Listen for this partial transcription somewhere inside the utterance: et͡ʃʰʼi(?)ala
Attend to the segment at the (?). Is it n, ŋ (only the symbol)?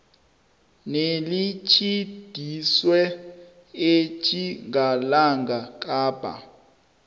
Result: ŋ